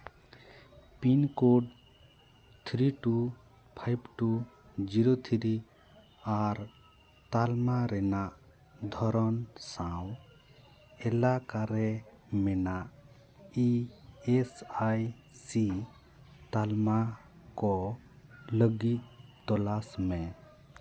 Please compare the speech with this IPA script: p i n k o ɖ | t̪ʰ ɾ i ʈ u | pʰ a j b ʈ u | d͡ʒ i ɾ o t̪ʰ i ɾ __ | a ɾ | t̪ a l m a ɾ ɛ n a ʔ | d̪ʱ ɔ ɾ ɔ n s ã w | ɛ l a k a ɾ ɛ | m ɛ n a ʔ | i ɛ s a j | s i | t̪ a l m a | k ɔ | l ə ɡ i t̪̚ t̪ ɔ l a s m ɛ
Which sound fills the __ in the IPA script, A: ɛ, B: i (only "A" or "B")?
B